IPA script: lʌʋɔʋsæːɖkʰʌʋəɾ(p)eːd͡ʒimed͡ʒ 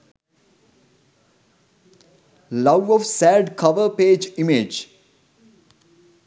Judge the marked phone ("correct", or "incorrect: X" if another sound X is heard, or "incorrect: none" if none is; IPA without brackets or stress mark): correct